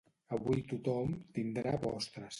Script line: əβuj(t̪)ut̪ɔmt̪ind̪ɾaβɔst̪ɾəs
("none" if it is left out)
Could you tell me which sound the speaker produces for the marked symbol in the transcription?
t̪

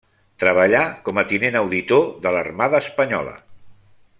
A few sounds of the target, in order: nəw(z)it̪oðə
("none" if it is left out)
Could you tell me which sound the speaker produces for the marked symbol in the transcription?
ð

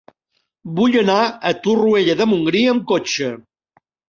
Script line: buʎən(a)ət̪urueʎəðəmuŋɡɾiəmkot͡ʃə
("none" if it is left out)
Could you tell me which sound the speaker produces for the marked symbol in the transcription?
a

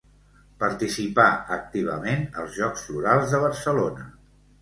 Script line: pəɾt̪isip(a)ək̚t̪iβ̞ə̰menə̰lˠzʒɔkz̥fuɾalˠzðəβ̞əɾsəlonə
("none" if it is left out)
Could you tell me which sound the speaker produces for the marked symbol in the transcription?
a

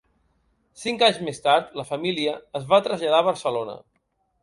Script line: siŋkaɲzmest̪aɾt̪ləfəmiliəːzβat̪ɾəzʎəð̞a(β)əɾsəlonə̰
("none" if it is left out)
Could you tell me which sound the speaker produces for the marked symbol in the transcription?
β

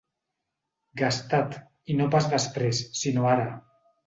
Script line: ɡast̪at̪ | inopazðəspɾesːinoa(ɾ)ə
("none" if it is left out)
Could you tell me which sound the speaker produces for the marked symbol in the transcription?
ɾ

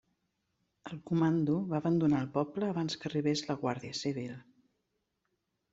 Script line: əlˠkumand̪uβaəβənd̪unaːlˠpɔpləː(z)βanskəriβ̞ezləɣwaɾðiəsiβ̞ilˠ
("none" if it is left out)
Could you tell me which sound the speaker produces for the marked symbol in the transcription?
none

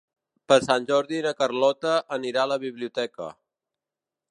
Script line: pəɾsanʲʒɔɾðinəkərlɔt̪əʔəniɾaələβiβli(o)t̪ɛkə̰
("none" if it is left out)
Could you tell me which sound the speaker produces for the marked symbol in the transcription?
u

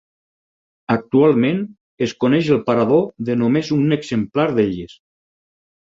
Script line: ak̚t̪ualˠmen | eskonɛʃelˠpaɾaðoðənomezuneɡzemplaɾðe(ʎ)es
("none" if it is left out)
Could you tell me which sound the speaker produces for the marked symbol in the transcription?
ʎ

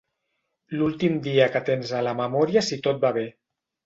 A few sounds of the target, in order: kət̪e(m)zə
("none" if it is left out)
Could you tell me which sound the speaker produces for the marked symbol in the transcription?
n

